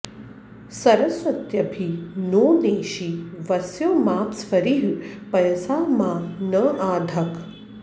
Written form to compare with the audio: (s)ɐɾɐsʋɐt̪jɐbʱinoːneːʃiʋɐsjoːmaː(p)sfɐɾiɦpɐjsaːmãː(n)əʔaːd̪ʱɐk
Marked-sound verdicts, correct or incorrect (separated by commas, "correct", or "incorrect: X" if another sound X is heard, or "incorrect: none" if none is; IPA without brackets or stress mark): correct, correct, correct